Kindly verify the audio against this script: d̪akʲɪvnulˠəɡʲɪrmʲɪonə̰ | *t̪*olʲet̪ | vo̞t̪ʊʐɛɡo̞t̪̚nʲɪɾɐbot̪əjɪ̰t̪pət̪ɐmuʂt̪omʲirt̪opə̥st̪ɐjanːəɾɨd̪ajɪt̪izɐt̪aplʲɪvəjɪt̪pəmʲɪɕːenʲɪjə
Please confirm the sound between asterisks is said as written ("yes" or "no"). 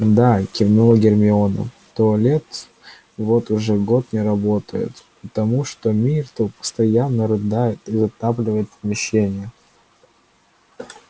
yes